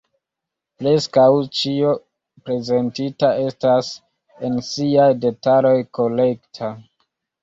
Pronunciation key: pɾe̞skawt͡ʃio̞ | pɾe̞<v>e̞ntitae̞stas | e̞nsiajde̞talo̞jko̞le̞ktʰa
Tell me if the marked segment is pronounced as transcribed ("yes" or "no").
no